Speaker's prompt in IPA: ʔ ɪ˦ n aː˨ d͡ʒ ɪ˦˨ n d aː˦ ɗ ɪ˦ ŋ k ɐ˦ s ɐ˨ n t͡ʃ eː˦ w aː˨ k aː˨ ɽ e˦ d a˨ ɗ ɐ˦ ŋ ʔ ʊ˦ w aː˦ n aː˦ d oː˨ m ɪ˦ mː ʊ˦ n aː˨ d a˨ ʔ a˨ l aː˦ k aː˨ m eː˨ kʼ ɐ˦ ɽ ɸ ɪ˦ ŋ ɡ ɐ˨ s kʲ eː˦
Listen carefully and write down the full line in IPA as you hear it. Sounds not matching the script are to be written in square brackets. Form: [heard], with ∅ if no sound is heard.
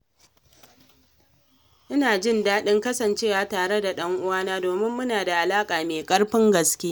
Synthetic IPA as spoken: ʔ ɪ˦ n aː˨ d͡ʒ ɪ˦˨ n d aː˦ ɗ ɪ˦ ŋ k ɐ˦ s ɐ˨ n t͡ʃ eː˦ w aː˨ [t] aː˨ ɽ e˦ d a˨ ɗ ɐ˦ ŋ ʔ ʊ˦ w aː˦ n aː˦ d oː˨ m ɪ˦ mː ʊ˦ n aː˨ d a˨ ʔ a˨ l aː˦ [kʼ] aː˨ m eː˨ kʼ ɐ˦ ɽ ɸ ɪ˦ ŋ ɡ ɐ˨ s kʲ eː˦

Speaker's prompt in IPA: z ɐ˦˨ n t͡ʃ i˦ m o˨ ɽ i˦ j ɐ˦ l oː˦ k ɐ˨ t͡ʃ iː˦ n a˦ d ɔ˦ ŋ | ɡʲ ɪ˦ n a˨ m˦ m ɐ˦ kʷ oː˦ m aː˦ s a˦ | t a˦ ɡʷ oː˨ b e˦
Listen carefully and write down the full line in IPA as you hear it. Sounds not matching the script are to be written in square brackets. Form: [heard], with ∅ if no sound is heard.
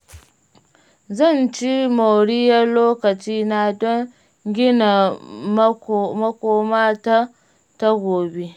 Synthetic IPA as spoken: z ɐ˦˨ n t͡ʃ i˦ m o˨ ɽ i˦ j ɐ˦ l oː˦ k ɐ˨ t͡ʃ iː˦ n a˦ d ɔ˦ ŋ | ɡʲ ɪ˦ n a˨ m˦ m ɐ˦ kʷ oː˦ m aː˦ [t] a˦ | t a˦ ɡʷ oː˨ b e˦

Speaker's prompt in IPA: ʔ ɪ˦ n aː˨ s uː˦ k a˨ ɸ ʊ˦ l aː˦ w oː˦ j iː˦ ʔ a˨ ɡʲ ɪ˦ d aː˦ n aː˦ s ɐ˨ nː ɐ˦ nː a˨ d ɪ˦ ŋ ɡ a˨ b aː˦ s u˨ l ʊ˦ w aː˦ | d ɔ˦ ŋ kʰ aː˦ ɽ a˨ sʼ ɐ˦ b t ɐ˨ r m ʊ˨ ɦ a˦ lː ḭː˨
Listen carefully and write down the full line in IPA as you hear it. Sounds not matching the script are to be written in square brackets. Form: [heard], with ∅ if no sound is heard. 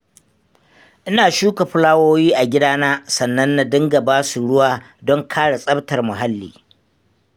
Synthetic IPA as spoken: ʔ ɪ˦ n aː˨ [ʃ] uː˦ k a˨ ɸ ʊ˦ l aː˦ w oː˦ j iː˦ ʔ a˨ ɡʲ ɪ˦ d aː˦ n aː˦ s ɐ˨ nː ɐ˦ nː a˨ d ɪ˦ ŋ ɡ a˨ b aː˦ s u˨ [ɽ] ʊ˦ w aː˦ | d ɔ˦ ŋ kʰ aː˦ ɽ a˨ sʼ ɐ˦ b t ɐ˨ r m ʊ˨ ɦ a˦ lː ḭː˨

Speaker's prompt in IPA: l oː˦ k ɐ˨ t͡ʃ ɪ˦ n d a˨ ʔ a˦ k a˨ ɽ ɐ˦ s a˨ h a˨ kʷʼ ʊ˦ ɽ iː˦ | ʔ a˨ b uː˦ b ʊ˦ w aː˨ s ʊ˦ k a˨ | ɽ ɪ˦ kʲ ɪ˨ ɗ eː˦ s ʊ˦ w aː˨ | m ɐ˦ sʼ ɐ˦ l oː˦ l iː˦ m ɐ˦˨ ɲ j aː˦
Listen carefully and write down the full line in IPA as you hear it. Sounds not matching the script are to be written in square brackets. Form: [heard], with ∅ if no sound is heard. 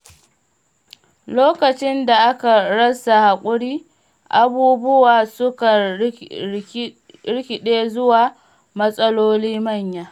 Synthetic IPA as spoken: l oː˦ k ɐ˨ t͡ʃ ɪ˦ n d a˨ ʔ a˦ k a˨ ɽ ɐ˦ s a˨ h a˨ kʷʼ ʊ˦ ɽ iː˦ | ʔ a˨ b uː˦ b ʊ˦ w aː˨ s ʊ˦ k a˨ | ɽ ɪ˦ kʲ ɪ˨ ɗ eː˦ [z] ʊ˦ w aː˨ | m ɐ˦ sʼ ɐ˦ l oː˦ l iː˦ m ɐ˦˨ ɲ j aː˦

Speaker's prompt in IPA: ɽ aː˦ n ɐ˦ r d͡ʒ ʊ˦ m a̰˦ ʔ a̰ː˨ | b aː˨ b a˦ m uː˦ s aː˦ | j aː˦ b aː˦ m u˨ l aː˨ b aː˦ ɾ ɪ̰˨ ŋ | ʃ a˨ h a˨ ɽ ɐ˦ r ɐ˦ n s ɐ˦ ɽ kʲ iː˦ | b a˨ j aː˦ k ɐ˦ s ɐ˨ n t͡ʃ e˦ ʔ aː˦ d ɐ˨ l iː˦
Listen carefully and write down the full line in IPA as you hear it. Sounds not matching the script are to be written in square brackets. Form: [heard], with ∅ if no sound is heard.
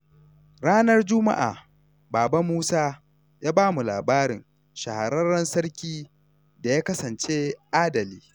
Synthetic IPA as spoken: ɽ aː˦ n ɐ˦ r d͡ʒ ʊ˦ m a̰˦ ʔ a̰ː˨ | b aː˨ b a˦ m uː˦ s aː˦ | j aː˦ b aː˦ m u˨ l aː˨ b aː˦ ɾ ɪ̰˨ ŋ | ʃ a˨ h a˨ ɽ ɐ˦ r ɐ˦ n s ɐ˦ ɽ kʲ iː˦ | [d] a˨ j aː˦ k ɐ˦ s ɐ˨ n t͡ʃ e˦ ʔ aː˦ d ɐ˨ l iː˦

